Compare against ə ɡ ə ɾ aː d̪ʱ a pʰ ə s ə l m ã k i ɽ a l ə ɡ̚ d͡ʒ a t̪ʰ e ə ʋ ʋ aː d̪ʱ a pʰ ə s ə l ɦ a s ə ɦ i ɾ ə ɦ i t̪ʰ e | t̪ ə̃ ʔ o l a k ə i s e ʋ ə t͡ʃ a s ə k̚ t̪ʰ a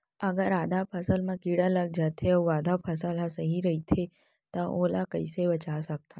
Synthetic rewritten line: ə ɡ ə ɾ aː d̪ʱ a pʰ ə s ə l m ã k i ɽ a l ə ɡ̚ d͡ʒ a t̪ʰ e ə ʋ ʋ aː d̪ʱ a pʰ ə s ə l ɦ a s ə ɦ i ɾ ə ɦ i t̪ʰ e | t̪ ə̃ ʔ o l a k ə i s e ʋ ə t͡ʃ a s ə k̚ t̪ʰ a